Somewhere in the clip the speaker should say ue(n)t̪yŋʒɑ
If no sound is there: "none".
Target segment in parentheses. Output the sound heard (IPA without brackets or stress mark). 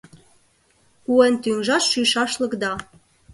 n